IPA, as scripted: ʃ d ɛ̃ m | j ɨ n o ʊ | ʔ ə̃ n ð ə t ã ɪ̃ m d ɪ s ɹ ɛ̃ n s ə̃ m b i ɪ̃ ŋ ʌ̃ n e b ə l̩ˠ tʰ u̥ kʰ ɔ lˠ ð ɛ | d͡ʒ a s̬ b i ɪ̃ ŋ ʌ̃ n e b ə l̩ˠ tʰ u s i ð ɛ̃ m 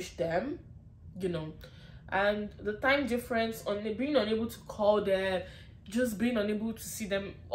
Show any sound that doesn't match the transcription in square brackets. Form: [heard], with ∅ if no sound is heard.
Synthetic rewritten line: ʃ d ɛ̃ m | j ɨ n o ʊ | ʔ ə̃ n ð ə t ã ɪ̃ m d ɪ [f] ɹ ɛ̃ n s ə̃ [n] b i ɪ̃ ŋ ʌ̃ n e b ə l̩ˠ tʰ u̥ kʰ ɔ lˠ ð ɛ | d͡ʒ [ʌ] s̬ b i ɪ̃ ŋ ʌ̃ n e b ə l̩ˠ tʰ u s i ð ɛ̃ m